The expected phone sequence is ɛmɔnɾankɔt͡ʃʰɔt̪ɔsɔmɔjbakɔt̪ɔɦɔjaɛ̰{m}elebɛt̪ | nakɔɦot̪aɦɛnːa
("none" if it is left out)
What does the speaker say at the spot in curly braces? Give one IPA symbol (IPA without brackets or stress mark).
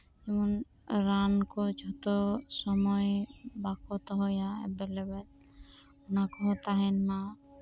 b